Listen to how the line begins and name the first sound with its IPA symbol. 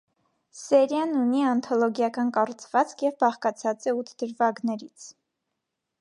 s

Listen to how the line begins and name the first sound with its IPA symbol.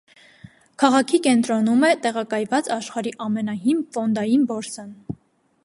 kʰ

